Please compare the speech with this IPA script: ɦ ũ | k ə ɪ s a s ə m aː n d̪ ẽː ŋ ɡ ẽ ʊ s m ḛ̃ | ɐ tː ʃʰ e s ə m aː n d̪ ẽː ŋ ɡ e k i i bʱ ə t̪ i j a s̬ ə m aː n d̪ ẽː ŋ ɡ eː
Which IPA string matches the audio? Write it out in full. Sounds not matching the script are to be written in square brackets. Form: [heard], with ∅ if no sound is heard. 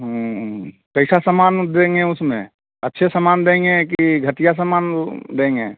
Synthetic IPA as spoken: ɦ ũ | k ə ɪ s a s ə m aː n d̪ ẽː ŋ ɡ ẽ ʊ s m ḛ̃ | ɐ tː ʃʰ e s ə m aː n d̪ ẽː ŋ ɡ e k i i [ɡʱ] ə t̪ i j a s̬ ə m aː n d̪ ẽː ŋ ɡ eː